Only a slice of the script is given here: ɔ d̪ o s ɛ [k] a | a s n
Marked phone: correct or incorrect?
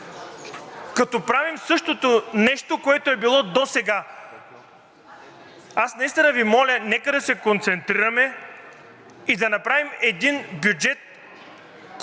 incorrect